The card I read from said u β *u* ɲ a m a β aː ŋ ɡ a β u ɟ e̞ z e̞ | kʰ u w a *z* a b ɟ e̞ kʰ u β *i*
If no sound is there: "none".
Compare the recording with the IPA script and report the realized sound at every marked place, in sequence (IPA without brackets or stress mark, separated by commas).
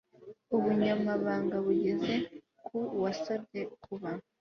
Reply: u, s, a